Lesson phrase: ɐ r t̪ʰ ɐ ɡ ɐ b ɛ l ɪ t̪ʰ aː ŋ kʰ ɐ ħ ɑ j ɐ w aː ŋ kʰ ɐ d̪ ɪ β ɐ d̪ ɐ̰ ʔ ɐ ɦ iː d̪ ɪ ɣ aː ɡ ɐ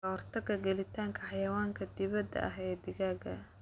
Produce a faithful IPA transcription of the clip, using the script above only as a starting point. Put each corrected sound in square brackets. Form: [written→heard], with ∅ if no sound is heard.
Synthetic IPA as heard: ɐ r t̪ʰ ɐ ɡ ɐ [b→ɡ] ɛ l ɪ t̪ʰ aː ŋ kʰ ɐ ħ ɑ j ɐ w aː ŋ kʰ ɐ d̪ ɪ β ɐ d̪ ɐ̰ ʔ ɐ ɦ [iː→ɛː] d̪ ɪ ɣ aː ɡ ɐ